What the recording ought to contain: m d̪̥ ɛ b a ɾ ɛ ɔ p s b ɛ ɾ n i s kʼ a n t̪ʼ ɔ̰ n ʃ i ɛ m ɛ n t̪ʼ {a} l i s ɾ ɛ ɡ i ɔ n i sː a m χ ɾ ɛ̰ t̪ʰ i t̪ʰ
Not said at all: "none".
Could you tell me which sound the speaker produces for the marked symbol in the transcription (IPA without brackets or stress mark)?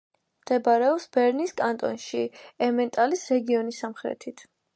a